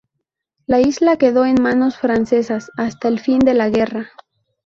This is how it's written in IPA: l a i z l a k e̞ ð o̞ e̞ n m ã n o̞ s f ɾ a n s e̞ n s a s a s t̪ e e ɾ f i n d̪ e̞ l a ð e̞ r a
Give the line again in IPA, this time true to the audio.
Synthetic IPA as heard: l a i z l a k e̞ ð o̞ e̞ n m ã n o̞ s f ɾ a n s e̞ s a s a s t̪ a e l f i n d̪ e̞ l a ɣ e̞ r a